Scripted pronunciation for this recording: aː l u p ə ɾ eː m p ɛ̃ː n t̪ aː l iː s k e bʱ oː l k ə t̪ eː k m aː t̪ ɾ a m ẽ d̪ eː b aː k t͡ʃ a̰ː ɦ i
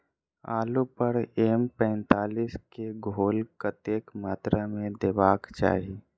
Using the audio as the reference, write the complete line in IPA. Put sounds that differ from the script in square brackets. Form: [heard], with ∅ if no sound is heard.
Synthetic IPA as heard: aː l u p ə ɾ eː m p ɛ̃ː n t̪ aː l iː s k e [ɡʱ] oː l k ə t̪ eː k m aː t̪ ɾ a m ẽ d̪ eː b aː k t͡ʃ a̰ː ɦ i